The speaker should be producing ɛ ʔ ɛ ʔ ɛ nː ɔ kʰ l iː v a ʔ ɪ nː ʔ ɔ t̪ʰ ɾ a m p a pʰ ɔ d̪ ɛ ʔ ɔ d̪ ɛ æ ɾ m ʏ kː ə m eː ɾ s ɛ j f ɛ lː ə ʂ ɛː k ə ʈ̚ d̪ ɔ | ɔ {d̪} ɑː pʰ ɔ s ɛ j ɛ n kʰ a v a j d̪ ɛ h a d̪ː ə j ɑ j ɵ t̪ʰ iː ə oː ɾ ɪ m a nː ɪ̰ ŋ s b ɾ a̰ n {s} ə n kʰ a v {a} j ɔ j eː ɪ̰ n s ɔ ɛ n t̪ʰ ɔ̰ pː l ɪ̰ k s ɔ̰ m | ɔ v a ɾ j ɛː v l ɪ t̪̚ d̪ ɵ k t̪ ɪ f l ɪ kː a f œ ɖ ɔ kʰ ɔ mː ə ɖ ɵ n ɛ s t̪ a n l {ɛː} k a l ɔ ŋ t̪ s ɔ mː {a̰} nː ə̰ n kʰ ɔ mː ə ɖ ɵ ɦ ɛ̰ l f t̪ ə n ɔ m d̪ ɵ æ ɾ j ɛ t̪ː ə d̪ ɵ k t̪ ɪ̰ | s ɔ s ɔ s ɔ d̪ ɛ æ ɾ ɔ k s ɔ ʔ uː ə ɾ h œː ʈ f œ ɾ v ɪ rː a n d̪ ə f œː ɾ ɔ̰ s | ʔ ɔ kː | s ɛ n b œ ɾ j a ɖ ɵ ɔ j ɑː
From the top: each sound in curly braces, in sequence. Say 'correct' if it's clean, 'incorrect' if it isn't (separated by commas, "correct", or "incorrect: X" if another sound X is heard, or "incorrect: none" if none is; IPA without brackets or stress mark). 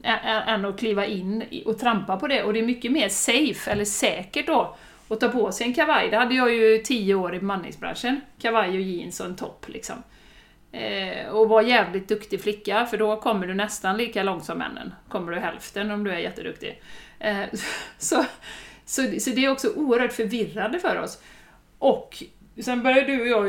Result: incorrect: t̪, incorrect: ʂ, correct, incorrect: iː, incorrect: ɛ̰